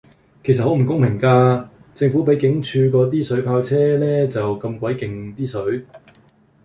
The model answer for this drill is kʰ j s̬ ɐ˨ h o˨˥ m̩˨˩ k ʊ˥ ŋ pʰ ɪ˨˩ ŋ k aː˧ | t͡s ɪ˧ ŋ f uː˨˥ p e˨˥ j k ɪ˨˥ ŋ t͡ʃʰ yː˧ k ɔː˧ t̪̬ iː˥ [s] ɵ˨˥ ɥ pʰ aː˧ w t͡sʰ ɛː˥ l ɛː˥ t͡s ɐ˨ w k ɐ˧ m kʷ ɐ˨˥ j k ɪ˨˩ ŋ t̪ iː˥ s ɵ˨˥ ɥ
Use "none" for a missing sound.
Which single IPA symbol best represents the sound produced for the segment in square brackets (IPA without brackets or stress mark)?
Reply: s